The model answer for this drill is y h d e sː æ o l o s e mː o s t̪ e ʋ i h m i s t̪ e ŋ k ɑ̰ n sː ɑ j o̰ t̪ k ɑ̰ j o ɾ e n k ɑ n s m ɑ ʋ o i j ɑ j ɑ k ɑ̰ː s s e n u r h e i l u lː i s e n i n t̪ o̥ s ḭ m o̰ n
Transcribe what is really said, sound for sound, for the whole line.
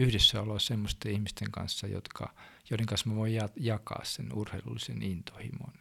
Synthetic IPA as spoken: y h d e sː æ o l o s e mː o s t̪ e i h m i s t̪ e ŋ k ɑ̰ n sː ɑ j o̰ t̪ k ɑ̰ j o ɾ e ŋ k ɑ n s m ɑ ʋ o i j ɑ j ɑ k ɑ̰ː s s e n u r h e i l u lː i s e n i n t̪ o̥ h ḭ m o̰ n